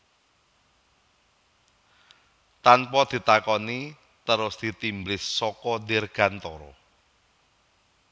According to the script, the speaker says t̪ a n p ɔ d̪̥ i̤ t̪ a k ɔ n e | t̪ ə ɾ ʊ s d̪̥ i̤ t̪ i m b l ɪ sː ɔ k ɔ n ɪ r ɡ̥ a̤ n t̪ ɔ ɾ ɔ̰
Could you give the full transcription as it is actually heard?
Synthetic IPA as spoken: t̪ a n p ɔ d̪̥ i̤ t̪ a k ɔ n i | t̪ ə ɾ ʊ s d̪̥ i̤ t̪ i m b l ɪ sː ɔ k ɔ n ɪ r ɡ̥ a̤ n t̪ ɔ ɾ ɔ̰